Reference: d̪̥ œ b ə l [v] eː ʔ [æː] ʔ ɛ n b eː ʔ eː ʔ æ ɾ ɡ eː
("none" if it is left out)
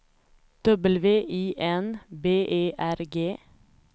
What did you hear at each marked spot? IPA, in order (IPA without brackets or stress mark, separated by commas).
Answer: ʋ, iː